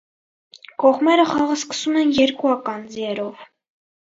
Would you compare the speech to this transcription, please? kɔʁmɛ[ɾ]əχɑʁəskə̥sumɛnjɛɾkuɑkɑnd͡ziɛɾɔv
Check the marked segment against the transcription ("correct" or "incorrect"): correct